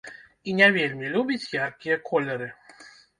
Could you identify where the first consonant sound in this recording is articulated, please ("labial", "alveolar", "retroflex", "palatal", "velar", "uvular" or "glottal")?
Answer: alveolar